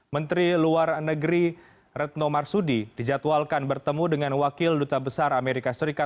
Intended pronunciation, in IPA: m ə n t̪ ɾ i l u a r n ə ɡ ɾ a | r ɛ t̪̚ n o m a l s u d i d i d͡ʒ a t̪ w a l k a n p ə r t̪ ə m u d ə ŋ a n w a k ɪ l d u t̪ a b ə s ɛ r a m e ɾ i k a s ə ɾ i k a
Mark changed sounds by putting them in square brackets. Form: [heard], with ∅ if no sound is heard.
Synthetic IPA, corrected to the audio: m ə n t̪ ɾ i l u a r n ə ɡ ɾ [i] | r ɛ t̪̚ n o m a [r] s u d i d i d͡ʒ a t̪ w a l k a n [b] ə r t̪ ə m u d ə ŋ a n w a k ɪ l d u t̪ a b ə s [a] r a m e ɾ i k a s ə ɾ i k a